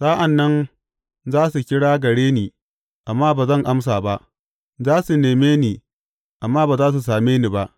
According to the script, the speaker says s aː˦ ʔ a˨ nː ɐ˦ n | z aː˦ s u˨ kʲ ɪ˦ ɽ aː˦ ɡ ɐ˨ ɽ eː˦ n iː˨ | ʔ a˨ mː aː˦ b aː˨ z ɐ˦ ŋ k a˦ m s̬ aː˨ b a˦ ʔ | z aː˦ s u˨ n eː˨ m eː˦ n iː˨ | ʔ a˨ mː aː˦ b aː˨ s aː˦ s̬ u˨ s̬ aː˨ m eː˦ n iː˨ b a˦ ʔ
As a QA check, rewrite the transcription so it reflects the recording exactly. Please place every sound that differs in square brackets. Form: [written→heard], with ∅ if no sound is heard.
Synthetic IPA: s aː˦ ʔ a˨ nː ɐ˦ n | z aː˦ s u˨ kʲ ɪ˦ ɽ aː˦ ɡ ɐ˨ ɽ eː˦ n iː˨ | ʔ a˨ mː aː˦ b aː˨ z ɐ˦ ŋ [k→ʔ] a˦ m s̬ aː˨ b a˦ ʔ | z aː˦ s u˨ n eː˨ m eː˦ n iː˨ | ʔ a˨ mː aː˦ b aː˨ [s→z] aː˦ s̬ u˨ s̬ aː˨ m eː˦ n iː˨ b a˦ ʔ